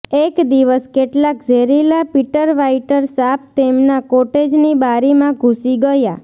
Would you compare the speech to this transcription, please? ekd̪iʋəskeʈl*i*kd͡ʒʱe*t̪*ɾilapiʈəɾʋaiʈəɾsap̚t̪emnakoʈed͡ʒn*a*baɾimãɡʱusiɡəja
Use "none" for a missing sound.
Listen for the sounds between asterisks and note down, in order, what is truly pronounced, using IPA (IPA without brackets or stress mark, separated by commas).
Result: a, none, i